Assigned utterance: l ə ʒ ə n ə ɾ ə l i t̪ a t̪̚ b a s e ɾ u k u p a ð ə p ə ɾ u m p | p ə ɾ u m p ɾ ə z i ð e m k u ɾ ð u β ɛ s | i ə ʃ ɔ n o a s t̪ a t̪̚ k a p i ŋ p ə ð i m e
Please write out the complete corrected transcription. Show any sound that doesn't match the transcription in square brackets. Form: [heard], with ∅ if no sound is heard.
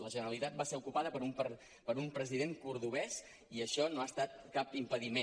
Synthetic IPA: l ə ʒ ə n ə ɾ ə l i t̪ a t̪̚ b a s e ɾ u k u p a ð ə p ə ɾ u m p | p ə ɾ u m p ɾ ə z i ð e [ŋ] k u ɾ ð u β ɛ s | i ə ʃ ɔ n o a s t̪ a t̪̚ k a p i [m] p ə ð i m e